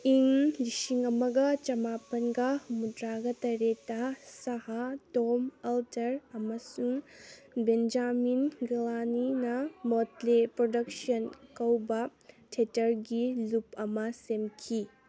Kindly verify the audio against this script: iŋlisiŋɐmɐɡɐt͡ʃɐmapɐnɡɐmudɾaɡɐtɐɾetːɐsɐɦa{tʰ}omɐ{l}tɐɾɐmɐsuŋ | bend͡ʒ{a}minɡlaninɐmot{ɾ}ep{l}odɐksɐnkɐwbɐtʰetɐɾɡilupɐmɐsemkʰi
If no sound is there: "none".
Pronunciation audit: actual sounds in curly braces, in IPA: t, l, a, l, ɾ

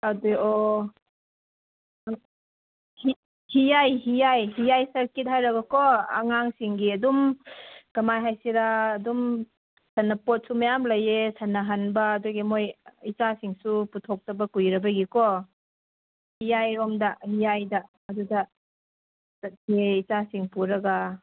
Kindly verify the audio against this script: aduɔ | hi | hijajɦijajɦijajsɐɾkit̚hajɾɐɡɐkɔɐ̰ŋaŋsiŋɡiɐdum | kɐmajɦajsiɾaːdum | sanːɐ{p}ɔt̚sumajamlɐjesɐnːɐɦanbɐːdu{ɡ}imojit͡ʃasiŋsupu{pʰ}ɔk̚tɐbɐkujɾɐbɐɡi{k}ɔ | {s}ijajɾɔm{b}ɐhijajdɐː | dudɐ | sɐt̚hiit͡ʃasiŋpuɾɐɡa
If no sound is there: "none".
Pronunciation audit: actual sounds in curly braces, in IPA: p, ɡ, tʰ, k, h, d

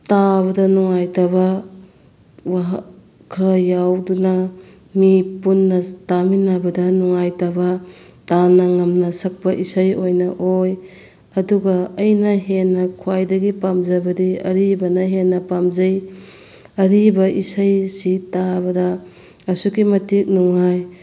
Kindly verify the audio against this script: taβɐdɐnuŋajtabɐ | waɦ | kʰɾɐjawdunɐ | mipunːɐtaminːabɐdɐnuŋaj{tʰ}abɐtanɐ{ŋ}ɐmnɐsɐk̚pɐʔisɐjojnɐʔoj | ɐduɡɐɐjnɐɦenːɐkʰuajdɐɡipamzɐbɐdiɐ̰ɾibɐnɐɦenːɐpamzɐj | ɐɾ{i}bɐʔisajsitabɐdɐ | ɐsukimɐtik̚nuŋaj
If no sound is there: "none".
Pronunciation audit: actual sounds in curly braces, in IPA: t, ŋ, i

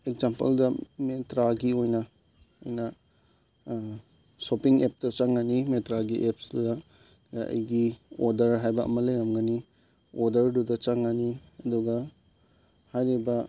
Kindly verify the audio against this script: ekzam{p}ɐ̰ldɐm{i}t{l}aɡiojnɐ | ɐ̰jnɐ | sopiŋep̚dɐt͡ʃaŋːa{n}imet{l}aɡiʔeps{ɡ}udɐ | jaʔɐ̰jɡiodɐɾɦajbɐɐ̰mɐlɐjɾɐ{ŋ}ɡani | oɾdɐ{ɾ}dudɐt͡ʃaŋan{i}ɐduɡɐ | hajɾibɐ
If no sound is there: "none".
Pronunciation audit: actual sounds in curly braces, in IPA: p, e, ɾ, n, ɾ, d, m, ɾ, i

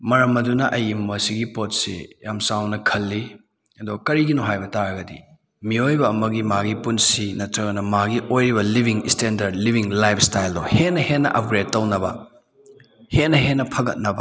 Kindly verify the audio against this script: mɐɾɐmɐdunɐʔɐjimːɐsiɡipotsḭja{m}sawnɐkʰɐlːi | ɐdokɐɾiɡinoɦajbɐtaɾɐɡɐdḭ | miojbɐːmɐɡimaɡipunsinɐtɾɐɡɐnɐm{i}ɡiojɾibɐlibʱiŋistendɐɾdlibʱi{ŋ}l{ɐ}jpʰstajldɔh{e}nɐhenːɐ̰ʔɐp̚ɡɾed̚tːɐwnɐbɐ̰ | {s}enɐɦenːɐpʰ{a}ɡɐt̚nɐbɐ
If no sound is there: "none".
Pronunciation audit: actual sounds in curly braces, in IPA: m, a, ŋ, a, e, h, ɐ

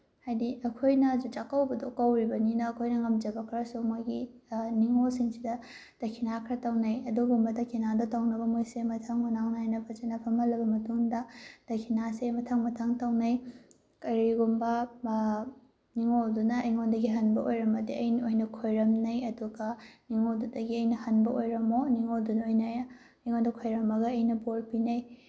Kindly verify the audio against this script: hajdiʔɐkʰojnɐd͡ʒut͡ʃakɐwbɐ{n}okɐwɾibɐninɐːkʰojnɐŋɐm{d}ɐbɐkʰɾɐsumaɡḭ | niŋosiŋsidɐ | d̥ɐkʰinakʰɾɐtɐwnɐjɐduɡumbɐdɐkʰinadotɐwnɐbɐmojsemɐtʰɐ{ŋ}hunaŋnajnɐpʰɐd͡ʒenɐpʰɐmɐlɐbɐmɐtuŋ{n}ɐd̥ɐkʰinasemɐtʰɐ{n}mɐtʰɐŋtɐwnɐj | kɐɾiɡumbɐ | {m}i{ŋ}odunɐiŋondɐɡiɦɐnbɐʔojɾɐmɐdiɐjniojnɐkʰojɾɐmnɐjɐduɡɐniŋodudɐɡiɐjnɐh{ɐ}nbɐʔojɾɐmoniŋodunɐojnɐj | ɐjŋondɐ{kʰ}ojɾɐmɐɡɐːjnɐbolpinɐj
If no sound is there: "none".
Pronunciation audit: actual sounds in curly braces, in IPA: d, d͡ʒ, ŋ, d, ŋ, n, ŋ, ɐ, kʰ

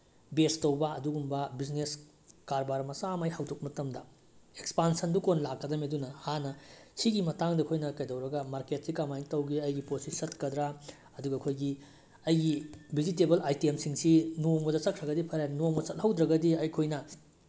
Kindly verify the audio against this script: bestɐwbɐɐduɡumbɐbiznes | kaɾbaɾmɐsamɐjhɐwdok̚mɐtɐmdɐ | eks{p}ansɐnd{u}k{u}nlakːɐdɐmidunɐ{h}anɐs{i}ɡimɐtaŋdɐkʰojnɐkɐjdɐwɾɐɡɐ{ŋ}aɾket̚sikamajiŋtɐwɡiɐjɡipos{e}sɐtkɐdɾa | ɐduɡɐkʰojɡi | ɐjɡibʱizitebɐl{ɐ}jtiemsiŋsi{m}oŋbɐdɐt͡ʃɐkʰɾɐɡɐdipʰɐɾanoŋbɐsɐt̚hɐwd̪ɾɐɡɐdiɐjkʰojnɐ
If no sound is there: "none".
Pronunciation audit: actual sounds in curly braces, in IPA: p, u, o, h, i, m, i, a, n

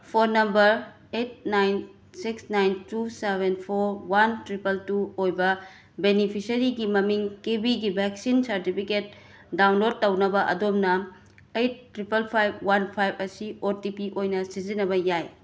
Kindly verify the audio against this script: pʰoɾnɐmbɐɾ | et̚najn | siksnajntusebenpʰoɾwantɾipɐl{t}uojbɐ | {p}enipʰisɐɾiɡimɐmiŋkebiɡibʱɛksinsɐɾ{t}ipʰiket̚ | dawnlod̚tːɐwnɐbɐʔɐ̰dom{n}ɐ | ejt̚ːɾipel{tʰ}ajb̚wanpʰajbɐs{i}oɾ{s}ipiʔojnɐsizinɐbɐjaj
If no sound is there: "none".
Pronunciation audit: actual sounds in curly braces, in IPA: t, b, t, n, pʰ, i, t

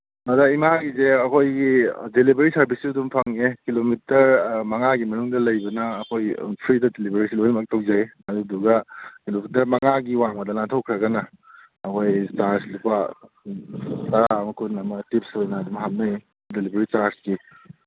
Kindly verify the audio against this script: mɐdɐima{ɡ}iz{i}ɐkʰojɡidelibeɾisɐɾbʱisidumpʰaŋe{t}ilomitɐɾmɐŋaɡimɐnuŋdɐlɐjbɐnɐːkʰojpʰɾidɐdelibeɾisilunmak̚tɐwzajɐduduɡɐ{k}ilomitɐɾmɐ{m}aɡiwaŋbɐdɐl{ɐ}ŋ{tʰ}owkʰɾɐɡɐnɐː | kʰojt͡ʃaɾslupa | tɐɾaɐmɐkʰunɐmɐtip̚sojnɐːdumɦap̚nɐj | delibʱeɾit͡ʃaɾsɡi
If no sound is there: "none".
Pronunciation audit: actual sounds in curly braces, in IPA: ɡ, e, k, k, ŋ, a, tʰ

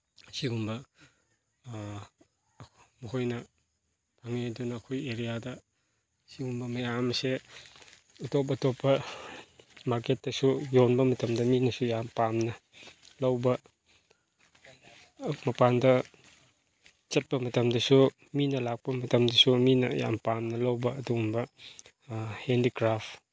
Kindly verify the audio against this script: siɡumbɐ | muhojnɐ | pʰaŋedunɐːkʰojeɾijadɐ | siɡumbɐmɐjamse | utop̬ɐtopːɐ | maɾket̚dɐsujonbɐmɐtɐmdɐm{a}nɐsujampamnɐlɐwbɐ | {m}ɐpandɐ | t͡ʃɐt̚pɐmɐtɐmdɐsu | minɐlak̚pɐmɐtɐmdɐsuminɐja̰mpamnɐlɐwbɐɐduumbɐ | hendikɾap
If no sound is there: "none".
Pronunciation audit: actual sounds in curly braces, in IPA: i, m

